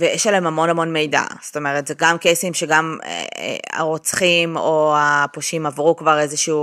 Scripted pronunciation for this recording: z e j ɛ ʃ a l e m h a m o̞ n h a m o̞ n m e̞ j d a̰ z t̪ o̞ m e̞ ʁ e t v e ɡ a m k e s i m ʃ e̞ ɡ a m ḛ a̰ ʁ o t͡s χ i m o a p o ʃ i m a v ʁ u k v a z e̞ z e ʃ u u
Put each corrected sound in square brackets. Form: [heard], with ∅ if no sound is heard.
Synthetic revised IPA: [v] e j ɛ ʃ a l e m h a m o̞ n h a m o̞ n m e̞ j d a̰ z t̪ o̞ m e̞ ʁ e t [z] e ɡ a m k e s i m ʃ e̞ ɡ a m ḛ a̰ ʁ o t͡s χ i m o a p o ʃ i m a v ʁ u k v a [ʁ] e̞ z e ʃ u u